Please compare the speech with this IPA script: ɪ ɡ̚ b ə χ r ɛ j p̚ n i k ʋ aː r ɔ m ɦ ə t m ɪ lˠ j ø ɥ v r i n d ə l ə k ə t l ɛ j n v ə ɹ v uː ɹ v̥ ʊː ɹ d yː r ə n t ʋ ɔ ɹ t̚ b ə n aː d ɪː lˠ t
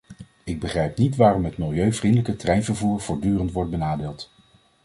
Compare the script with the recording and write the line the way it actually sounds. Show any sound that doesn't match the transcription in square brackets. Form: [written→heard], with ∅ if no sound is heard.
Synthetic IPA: ɪ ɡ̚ b ə χ r ɛ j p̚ n i [k→t] ʋ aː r ɔ m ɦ ə t m ɪ lˠ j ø ɥ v r i n d ə l ə k ə t [l→r] ɛ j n v ə ɹ v uː ɹ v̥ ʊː ɹ d yː r ə n t ʋ ɔ ɹ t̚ b ə n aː d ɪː lˠ t